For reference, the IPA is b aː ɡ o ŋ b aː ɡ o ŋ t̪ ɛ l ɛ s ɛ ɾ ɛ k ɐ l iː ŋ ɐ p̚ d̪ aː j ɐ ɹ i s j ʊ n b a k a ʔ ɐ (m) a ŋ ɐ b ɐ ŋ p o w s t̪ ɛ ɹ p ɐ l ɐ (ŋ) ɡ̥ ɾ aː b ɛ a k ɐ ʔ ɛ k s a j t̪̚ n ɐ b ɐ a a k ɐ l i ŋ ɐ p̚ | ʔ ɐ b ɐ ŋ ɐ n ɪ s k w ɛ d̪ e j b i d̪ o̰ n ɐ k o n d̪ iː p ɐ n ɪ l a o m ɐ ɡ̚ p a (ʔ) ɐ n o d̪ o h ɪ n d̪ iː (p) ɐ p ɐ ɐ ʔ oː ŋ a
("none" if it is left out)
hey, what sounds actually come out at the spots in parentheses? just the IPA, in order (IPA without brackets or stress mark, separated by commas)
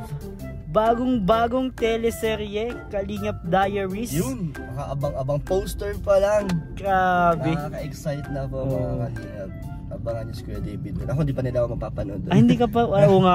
b, ŋ, p, k